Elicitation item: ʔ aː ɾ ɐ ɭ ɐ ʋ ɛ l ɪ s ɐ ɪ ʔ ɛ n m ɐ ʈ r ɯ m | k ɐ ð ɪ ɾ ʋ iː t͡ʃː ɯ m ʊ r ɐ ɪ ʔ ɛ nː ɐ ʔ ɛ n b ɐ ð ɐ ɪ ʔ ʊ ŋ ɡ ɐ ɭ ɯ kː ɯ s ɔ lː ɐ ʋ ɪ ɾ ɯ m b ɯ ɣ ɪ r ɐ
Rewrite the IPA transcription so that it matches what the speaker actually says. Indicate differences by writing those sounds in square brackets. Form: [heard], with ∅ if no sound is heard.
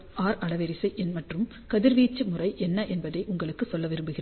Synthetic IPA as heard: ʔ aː ɾ ɐ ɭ ɐ ʋ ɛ [ɾ] ɪ s ɐ ɪ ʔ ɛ n m ɐ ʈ r ɯ m | k ɐ ð ɪ ɾ ʋ iː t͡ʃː ɯ m ʊ r ɐ ɪ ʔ ɛ nː ɐ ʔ ɛ n b ɐ ð ɐ ɪ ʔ ʊ ŋ ɡ ɐ ɭ ɯ kː ɯ s ɔ lː ɐ ʋ ɪ ɾ ɯ m b ɯ ɣ ɪ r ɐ